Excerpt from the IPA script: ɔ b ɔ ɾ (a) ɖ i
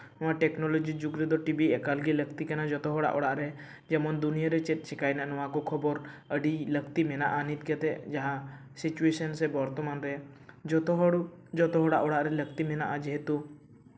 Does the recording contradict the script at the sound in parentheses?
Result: yes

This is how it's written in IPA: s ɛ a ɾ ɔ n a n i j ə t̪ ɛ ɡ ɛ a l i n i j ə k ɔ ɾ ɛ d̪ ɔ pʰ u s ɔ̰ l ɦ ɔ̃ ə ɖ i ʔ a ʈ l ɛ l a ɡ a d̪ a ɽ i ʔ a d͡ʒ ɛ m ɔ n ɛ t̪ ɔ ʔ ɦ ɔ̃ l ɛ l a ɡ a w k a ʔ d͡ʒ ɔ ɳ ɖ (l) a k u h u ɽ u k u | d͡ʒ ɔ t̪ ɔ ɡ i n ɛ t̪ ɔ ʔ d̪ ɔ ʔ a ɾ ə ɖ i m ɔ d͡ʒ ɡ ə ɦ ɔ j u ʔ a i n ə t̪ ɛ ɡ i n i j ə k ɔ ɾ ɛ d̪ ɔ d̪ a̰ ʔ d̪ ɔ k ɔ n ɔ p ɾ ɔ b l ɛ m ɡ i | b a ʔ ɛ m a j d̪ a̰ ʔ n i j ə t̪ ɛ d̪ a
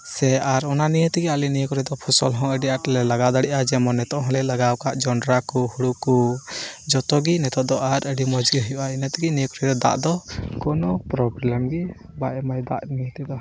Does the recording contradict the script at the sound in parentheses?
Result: yes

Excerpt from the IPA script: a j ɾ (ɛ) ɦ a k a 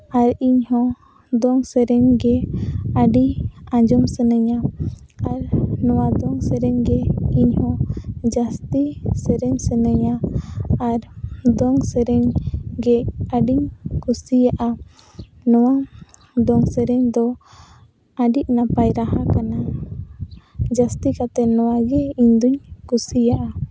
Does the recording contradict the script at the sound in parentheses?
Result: yes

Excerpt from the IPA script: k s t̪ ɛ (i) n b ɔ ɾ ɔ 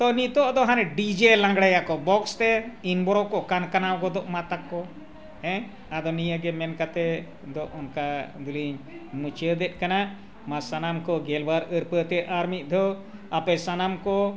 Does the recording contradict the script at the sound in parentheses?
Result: no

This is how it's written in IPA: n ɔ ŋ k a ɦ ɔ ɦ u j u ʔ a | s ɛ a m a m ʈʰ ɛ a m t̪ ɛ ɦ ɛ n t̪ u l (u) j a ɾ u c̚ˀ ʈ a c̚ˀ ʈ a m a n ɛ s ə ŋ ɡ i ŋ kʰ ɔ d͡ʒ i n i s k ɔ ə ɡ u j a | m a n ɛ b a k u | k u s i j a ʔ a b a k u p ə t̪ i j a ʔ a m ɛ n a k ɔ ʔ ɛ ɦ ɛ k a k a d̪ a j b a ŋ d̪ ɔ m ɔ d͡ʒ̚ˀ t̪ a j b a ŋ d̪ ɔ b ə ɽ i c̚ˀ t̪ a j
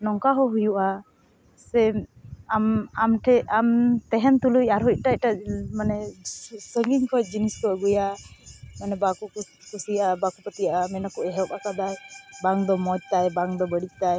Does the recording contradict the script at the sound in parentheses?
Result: no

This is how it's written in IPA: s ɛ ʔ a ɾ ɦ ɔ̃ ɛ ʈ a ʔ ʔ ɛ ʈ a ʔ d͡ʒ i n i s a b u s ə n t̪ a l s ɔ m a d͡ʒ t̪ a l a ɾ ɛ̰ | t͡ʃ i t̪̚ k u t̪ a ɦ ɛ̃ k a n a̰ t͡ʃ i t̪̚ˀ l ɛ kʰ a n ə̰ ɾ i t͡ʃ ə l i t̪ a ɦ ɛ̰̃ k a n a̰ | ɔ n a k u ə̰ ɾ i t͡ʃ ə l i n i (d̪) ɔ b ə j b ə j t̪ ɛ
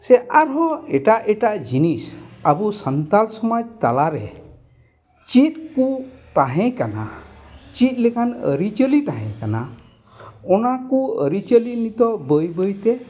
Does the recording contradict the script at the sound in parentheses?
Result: yes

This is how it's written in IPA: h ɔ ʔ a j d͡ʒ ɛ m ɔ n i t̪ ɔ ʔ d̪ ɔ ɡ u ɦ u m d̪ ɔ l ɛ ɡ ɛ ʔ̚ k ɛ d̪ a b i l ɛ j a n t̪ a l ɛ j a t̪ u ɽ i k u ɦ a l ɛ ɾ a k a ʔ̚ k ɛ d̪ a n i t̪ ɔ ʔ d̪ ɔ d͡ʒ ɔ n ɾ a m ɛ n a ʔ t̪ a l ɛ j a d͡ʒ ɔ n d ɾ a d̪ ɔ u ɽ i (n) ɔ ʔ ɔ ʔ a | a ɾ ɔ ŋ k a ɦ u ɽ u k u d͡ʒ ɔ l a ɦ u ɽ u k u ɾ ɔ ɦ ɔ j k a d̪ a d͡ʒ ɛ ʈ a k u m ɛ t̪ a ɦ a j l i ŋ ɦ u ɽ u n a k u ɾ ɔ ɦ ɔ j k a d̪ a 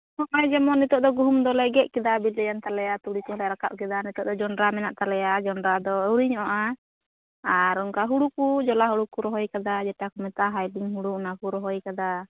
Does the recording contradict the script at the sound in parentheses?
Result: yes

